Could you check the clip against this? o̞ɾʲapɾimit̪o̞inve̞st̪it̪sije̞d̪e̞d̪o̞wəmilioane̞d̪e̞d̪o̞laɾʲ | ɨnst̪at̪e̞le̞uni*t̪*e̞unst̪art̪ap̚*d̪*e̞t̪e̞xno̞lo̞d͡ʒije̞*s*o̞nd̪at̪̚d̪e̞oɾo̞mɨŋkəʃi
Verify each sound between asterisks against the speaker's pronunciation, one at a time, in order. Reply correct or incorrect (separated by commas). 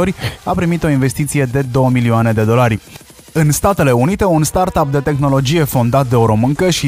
correct, correct, incorrect